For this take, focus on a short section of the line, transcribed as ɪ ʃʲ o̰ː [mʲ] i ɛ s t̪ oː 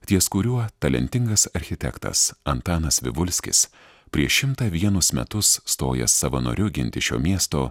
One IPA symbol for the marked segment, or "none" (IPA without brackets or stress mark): mʲ